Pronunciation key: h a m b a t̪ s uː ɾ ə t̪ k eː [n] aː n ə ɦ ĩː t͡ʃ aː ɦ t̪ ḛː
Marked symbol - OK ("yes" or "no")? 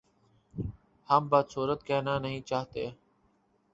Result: yes